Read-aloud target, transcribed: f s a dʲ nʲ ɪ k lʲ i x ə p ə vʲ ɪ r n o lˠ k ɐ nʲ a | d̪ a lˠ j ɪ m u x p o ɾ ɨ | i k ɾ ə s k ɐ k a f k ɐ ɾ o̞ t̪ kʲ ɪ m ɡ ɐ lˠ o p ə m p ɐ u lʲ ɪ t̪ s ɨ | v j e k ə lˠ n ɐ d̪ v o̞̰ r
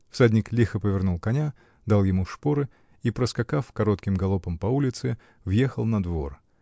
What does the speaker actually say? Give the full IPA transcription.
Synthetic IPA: f s a dʲ nʲ ɪ k lʲ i x ə p ə vʲ ɪ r n u lˠ k ɐ nʲ a | d̪ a lˠ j ɪ m u ʂ p o ɾ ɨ | i p ɾ ə s k ɐ k a f k ɐ ɾ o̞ t̪ kʲ ɪ m ɡ ɐ lˠ o p ə m p ɐ u lʲ ɪ t̪ s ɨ | v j e x ə lˠ n ɐ d̪ v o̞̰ r

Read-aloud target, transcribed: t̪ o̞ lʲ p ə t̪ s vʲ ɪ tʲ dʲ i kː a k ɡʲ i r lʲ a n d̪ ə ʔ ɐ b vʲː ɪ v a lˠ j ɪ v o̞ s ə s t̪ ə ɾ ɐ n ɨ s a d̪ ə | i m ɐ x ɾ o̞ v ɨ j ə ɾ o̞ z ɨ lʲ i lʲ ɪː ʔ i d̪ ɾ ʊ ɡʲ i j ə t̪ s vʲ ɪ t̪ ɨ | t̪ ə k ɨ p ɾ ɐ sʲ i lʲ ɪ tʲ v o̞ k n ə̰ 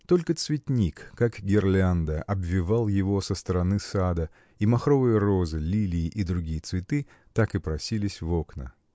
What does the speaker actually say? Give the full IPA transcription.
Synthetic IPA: t̪ o̞ lʲ k ə t̪ s vʲ ɪ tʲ nʲ i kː a k ɡʲ ɪ r lʲ a n d̪ ə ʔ ɐ b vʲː ɪ v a lˠ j ɪ v o̞ s ə s t̪ ə ɾ ɐ n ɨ s a d̪ ə | i m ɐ x ɾ o̞ v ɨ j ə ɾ o̞ z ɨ lʲ i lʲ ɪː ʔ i d̪ ɾ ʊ ɡʲ i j ə t̪ s vʲ ɪ t̪ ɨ | t̪ a k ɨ p ɾ ɐ sʲ i lʲ ɪ sʲ v o̞ k n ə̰

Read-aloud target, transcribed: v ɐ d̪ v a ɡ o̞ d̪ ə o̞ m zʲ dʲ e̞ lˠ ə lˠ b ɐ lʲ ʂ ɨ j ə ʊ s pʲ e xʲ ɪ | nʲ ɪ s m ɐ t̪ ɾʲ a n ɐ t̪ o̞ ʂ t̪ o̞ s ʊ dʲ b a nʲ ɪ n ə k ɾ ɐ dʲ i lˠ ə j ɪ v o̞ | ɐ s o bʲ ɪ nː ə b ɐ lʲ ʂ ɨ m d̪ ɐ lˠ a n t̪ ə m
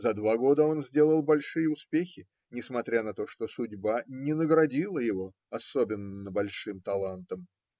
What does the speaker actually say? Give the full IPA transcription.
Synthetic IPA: z ɐ d̪ v a ɡ o̞ d̪ ə o̞ n zʲ dʲ e̞ lˠ ə lˠ b ɐ lʲ ʂ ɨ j ə ʊ s pʲ e xʲ ɪ | nʲ ɪ s m ɐ t̪ ɾʲ a n ɐ t̪ o̞ ʂ t̪ o̞ s ʊ dʲ b a nʲ ɪ n ə ɡ ɾ ɐ dʲ i lˠ ə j ɪ v o̞ | ɐ s o bʲ ɪ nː ə b ɐ lʲ ʂ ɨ m t̪ ɐ lˠ a n t̪ ə m

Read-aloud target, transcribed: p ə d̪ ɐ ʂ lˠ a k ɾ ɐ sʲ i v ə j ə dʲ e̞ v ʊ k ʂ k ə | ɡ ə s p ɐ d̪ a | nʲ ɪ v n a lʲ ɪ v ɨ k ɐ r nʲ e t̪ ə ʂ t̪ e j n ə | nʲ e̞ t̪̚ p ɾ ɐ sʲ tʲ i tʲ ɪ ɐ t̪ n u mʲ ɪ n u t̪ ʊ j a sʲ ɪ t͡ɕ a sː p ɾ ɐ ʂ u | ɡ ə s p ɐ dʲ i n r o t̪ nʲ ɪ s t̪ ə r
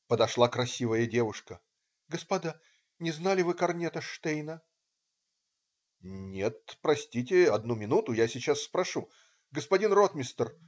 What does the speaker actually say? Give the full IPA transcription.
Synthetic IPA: p ə d̪ ɐ ʂ lˠ a k ɾ ɐ sʲ i v ə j ə dʲ e̞ v ʊ ʂ k ə | ɡ ə s p ɐ d̪ a | nʲ ɪ z n a lʲ ɪ v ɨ k ɐ r nʲ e t̪ ə ʂ t̪ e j n ə | nʲ e̞ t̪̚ p ɾ ɐ sʲ tʲ i tʲ ɪ ɐ d̪ n u mʲ ɪ n u t̪ ʊ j a sʲ ɪ t͡ɕ a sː p ɾ ɐ ʂ u | ɡ ə s p ɐ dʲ i n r o t̪ mʲ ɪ s t̪ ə r

